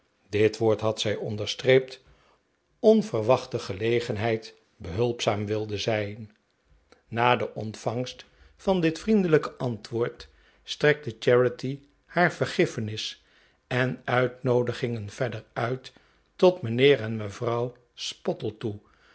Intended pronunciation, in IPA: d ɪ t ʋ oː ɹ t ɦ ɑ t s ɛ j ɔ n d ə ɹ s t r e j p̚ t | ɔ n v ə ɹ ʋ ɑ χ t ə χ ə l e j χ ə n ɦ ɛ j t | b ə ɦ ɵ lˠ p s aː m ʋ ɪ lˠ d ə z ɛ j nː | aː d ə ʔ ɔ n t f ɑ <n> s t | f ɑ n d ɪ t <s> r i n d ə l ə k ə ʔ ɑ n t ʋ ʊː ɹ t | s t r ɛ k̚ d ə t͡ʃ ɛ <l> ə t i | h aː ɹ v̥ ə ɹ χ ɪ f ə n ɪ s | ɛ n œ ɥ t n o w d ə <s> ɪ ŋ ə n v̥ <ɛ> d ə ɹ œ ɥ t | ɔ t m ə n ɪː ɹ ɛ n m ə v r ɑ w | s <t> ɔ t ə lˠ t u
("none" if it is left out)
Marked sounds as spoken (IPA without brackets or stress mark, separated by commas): ŋ, f, ɹ, χ, ɛ, p